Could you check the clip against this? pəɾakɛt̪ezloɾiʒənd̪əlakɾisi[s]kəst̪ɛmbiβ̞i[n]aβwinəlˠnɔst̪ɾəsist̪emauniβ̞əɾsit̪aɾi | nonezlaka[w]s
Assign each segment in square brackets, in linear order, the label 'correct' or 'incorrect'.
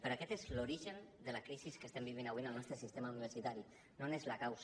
correct, correct, correct

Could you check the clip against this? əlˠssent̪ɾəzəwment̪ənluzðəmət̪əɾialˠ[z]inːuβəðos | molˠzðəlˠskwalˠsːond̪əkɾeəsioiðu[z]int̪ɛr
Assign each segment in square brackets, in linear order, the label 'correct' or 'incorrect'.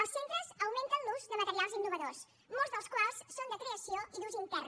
correct, correct

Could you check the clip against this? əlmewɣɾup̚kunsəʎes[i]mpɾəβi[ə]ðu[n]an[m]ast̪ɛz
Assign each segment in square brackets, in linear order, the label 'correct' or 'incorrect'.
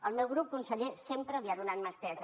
incorrect: e, incorrect: a, correct, correct

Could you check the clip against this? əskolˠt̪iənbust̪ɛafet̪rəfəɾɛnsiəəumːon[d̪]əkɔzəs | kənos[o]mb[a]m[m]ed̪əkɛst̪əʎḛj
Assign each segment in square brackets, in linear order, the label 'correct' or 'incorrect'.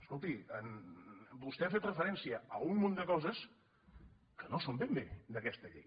correct, correct, incorrect: e, incorrect: b

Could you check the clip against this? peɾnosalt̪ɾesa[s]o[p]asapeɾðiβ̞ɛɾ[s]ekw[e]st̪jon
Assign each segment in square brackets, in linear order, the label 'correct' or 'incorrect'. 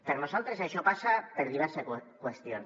incorrect: ʃ, correct, correct, correct

